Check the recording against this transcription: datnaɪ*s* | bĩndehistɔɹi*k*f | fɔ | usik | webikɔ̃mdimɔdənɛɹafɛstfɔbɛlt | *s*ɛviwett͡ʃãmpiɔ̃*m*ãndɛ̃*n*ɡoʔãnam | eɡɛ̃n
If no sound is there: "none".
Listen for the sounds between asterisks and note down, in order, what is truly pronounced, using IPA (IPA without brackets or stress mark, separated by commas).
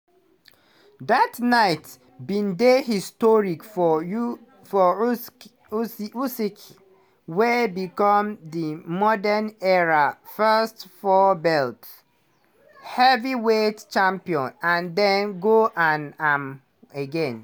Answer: t, k, h, n, n